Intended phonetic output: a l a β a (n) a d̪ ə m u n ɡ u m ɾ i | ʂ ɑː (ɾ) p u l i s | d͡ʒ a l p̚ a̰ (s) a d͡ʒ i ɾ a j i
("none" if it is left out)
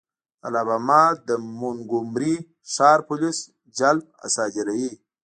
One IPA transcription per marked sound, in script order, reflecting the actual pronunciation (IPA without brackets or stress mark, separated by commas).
m, ɾ, s